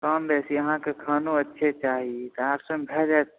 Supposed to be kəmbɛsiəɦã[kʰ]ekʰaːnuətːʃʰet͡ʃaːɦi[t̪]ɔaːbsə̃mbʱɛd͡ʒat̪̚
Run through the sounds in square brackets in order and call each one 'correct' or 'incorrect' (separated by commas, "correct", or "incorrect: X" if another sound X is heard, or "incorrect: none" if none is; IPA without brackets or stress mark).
incorrect: k, correct